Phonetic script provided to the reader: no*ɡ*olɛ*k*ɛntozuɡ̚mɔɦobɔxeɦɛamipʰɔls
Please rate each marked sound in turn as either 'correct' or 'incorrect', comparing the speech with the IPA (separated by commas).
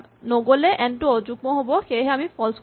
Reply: correct, incorrect